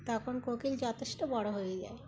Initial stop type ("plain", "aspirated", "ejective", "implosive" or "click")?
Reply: plain